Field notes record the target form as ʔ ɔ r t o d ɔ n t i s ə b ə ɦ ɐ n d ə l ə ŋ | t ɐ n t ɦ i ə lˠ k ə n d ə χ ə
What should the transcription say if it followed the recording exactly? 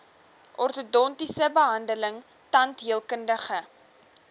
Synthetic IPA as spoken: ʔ ɔ r t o d ɔ n t i s ə b ə ɦ ɐ n d ə l ə ŋ | t ɐ n t ɦ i ə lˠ k ə n d ə χ ə